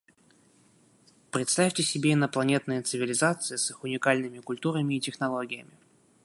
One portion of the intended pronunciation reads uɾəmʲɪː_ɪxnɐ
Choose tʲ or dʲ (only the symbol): tʲ